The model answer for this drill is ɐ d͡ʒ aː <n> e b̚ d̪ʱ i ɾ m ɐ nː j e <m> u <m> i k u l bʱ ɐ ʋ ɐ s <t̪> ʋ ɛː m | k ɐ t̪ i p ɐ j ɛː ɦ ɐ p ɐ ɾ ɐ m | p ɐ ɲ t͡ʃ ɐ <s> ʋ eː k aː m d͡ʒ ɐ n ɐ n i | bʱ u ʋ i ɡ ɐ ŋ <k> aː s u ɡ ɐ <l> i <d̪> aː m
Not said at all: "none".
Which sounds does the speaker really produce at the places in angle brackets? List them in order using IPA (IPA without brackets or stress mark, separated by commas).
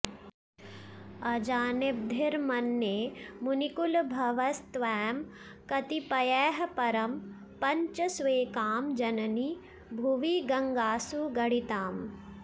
n, m, n, t̪, s, ɡ, ɽ, t̪